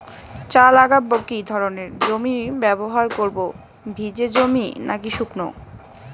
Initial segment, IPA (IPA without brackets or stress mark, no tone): t͡ɕ